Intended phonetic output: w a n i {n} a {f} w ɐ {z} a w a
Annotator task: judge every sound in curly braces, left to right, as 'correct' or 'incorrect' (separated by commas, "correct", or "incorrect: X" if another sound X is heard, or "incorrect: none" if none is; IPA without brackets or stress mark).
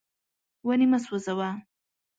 incorrect: m, incorrect: s, correct